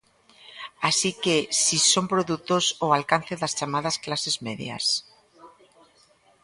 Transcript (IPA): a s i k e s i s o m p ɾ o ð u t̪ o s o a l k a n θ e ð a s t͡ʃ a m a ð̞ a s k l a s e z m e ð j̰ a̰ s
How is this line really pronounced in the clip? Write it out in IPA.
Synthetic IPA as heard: a s i k e s i s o m p ɾ o ð u t̪ o s o a l k a n θ e ð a s t͡ʃ a m a ð̞ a s k l a s e z m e ð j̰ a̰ s

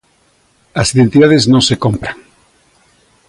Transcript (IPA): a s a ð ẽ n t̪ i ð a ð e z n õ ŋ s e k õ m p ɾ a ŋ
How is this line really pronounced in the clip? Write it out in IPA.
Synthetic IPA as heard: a s i ð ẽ n t̪ i ð a ð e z n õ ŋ s e k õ m p ɾ a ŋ

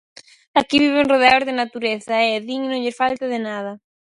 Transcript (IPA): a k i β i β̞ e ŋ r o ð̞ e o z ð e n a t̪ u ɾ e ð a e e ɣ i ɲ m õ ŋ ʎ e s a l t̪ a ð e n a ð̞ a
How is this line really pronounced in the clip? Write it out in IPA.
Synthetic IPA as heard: a k i β i β̞ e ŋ r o ð̞ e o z ð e n a t̪ u ɾ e θ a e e ð i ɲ n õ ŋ ʎ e f a l t̪ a ð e n a ð̞ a

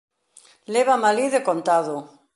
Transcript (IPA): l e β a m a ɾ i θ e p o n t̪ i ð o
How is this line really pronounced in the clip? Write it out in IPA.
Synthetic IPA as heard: l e β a m a l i ð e k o n t̪ a ð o

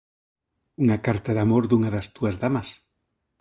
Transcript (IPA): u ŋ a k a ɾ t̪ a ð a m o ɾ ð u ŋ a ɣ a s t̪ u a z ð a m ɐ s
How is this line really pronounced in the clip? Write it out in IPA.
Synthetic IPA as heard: u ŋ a k a ɾ t̪ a ð a m o ɾ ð u ŋ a ð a s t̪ u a z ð a m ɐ s

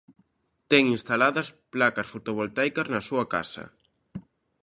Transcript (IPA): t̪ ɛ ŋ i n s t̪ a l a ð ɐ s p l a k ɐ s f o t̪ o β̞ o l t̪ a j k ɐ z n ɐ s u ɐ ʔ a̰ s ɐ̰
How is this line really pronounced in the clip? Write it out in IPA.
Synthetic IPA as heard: t̪ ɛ ŋ i n s t̪ a l a ð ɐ s p l a k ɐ s f o t̪ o β̞ o l t̪ a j k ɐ z n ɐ s u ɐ k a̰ s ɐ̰

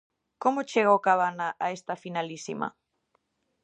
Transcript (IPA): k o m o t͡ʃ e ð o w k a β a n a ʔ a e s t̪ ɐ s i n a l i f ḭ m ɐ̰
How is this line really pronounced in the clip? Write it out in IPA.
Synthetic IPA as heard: k o m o t͡ʃ e ɣ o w k a β a n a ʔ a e s t̪ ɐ f i n a l i s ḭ m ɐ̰

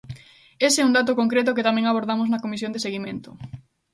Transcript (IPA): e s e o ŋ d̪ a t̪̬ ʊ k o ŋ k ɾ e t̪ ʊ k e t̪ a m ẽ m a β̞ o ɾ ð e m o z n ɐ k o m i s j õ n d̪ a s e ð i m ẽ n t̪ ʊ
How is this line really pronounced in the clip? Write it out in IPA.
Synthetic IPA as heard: e s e u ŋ d̪ a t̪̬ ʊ k o ŋ k ɾ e t̪ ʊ k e t̪ a m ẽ ŋ a β̞ o ɾ ð a m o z n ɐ k o m i s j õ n d̪ e s e ɣ i m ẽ n t̪ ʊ

